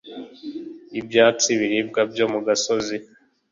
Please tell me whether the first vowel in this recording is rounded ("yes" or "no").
no